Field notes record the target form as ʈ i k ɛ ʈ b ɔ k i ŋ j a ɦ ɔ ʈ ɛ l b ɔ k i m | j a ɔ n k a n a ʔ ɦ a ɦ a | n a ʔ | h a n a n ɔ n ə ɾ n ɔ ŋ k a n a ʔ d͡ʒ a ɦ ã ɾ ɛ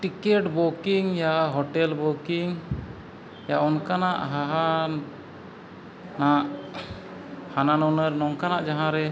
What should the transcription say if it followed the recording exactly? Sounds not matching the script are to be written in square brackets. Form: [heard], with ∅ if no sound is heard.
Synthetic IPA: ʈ i k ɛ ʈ b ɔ k i ŋ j a ɦ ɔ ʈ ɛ l b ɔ k i [ŋ] | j a ɔ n k a n a ʔ ɦ a ɦ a | n a ʔ | h a n a n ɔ n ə ɾ n ɔ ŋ k a n a ʔ d͡ʒ a ɦ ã ɾ ɛ

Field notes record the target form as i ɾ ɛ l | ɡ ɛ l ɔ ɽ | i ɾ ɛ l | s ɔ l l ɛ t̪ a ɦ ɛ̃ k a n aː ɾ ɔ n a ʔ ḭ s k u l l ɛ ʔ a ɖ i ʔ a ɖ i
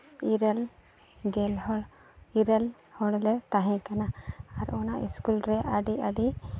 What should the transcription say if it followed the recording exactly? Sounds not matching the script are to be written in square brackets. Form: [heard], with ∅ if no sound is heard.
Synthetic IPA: i ɾ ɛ l | ɡ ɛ l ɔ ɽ | i ɾ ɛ l | [h] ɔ [ɽ] l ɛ t̪ a ɦ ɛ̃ k a n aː ɾ ɔ n a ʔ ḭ s k u l [ɾ] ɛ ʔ a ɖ i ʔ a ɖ i

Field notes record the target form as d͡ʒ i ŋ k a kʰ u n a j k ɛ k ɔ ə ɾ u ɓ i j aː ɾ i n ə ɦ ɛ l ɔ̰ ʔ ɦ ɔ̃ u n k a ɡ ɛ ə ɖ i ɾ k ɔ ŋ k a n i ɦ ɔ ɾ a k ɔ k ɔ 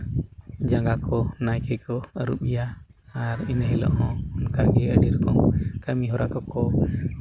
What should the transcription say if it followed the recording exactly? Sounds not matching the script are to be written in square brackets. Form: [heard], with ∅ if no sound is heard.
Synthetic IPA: d͡ʒ [a] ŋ [ɡ] a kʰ [ɔ] n a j k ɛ k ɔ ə ɾ u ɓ i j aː ɾ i n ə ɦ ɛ l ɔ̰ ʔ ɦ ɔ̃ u n k a ɡ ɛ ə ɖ i ɾ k ɔ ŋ k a [m] i ɦ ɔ ɾ a k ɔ k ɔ

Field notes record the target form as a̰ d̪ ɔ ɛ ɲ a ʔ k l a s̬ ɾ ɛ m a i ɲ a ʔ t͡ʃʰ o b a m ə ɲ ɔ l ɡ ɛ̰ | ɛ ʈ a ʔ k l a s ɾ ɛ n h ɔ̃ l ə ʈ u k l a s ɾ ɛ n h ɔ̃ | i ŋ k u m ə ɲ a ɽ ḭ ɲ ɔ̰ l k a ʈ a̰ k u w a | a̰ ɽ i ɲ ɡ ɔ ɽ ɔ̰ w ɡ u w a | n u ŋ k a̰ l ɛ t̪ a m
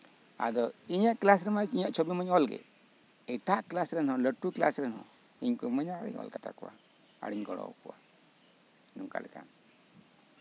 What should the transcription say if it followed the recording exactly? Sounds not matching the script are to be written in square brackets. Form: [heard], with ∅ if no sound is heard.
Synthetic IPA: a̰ d̪ ɔ [i] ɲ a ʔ k l a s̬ ɾ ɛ m a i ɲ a ʔ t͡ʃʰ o b [i] m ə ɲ ɔ l ɡ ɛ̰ | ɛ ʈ a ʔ k l a s ɾ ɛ n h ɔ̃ l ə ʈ u k l a s ɾ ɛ n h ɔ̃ | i [ɲ] k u m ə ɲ a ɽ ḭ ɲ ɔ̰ l k a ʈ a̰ k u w a | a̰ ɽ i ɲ ɡ ɔ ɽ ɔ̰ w [k] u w a | n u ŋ k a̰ l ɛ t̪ a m

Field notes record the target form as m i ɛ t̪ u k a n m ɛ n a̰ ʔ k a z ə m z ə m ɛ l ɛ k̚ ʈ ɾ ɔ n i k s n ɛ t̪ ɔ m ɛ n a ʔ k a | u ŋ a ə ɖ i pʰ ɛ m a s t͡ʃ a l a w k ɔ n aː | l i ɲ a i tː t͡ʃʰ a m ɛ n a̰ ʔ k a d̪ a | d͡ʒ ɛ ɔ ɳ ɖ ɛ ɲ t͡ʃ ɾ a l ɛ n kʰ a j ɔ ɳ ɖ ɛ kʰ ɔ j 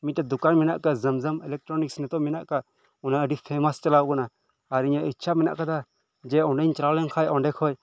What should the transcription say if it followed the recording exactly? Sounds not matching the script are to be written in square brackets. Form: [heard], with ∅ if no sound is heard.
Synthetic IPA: m i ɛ [d̪] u k a n m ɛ n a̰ ʔ k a z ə m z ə m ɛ l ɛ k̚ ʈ ɾ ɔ n i k s n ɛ t̪ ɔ m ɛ n a ʔ k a | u [n] a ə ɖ i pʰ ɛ m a s t͡ʃ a l a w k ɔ n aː | [ɾ] i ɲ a i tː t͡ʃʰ a m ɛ n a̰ ʔ k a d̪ a | d͡ʒ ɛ ɔ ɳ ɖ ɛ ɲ t͡ʃ ɾ a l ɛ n kʰ a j ɔ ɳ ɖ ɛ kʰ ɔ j

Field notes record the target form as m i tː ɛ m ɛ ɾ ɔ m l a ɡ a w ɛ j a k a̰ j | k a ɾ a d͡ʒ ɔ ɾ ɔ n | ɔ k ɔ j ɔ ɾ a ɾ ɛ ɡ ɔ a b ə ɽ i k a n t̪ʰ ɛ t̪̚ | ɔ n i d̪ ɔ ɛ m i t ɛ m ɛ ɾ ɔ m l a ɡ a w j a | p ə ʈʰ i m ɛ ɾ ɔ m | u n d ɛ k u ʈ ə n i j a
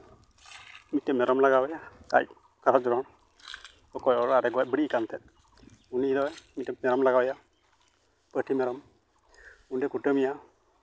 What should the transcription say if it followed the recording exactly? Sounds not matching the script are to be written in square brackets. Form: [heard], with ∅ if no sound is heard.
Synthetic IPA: m i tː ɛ m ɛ ɾ ɔ m l a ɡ a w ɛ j a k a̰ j | k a ɾ a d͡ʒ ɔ ɾ ɔ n | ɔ k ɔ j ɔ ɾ a ɾ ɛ ɡ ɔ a b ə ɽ i k a n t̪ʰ ɛ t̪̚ | [u] n i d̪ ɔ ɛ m i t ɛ m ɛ ɾ ɔ m l a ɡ a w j a | p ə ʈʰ i m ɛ ɾ ɔ m | u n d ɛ k u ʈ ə [m] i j a

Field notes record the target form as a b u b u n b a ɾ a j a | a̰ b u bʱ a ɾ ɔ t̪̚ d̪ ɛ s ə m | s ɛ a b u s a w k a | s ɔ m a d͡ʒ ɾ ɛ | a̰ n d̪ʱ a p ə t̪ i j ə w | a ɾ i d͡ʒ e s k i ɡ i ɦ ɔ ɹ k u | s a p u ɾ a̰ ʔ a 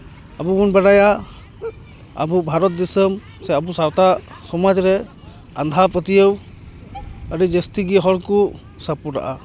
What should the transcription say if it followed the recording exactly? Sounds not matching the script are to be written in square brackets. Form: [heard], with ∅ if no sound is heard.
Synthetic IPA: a b u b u n b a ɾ a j a | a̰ b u bʱ a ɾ ɔ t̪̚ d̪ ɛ s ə m | s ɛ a b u s a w [t] a | s ɔ m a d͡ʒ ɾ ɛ | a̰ n d̪ʱ a p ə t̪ i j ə w | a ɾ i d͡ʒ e s [t] i ɡ i ɦ ɔ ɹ k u | s a p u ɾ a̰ ʔ a

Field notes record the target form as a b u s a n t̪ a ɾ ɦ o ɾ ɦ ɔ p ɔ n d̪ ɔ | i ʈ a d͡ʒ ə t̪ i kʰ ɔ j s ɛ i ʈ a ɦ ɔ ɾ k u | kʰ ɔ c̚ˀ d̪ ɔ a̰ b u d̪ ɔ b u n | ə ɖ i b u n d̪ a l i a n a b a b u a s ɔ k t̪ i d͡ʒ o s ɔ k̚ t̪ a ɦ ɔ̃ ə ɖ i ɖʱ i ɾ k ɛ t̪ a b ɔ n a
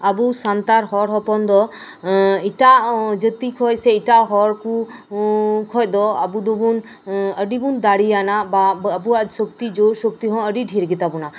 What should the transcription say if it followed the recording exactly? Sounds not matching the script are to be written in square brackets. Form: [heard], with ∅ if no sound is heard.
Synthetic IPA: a b u s a n t̪ a ɾ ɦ [ɔ] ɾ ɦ ɔ p ɔ n d̪ ɔ | i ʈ a d͡ʒ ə t̪ i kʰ ɔ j s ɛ i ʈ a ɦ ɔ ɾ k u | kʰ ɔ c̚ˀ d̪ ɔ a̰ b u d̪ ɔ b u n | ə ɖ i b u n d̪ a [ɽ] i a n a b a b u a s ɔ k t̪ i d͡ʒ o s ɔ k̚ t̪ [i] ɦ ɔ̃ ə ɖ i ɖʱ i ɾ [ɡ] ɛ t̪ a b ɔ n a

